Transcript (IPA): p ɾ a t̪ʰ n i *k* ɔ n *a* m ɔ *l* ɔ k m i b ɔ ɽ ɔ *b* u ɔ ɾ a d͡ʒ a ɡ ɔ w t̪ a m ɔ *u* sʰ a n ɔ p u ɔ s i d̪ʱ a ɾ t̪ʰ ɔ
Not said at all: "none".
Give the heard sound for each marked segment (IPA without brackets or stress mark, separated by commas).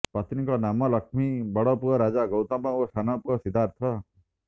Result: k, a, l, p, o